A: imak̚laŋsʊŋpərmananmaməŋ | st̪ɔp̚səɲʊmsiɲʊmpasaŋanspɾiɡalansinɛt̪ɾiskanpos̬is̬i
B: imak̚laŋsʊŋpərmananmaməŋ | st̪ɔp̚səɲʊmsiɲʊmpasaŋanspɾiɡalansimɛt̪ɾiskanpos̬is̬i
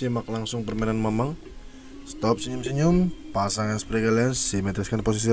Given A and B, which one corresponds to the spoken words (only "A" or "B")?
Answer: B